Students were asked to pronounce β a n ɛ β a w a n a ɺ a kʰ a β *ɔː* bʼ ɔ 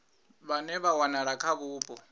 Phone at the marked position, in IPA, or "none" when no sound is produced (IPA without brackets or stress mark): uː